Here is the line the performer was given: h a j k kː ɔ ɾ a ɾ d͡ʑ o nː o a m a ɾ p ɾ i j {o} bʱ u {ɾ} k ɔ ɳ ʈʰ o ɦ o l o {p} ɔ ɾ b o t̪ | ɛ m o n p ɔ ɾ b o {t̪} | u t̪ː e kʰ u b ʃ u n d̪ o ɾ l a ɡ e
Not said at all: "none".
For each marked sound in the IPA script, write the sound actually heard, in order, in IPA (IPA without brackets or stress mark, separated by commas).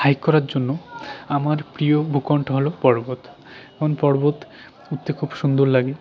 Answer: o, none, p, t̪